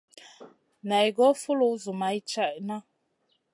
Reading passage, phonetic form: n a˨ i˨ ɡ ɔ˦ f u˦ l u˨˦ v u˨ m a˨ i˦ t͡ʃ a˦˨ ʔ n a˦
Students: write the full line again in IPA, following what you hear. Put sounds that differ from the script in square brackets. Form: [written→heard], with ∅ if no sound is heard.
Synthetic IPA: n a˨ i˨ ɡ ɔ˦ f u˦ l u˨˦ [v→z] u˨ m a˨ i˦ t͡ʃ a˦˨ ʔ n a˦